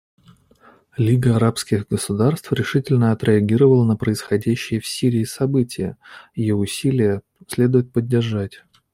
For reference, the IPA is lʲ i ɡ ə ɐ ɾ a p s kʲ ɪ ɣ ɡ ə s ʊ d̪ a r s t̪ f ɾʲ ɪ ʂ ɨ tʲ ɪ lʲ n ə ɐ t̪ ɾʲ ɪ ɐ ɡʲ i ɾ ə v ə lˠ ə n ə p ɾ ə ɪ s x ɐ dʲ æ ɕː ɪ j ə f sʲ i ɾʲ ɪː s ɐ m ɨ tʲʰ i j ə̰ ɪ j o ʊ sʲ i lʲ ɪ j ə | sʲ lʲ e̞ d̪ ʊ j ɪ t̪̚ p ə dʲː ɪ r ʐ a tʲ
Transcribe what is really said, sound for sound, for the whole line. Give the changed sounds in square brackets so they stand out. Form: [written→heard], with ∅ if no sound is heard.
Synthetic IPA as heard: lʲ i ɡ ə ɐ ɾ a p s kʲ ɪ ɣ ɡ ə s ʊ d̪ a r s t̪ f ɾʲ ɪ ʂ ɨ tʲ ɪ lʲ n ə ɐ t̪ ɾʲ ɪ ɐ ɡʲ i ɾ ə v ə lˠ ə n ə p ɾ ə ɪ s x ɐ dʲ æ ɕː ɪ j ə f sʲ i ɾʲ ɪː s ɐ [m→b] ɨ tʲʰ [i→ɪ] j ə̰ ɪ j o ʊ sʲ i lʲ ɪ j ə | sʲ lʲ e̞ d̪ ʊ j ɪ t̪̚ p ə dʲː ɪ r ʐ a tʲ